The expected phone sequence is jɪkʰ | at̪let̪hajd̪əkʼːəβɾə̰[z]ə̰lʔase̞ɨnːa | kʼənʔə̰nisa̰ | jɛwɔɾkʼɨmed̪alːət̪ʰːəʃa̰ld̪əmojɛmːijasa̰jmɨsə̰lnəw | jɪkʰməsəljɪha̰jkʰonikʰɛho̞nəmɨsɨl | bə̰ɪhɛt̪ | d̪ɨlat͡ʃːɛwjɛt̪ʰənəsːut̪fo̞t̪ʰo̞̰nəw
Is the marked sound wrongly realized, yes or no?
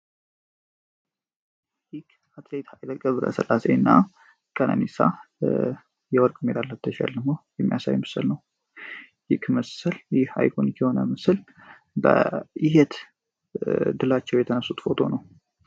yes